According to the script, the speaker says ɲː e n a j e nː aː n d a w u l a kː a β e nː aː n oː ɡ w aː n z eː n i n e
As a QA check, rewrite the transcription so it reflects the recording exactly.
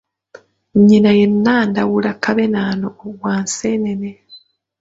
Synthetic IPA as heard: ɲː i n a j e nː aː n d a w u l a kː a β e n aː n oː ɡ w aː n s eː n e n e